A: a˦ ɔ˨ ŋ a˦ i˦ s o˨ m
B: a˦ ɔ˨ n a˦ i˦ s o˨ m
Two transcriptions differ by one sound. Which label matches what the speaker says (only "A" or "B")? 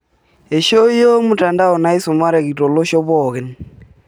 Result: B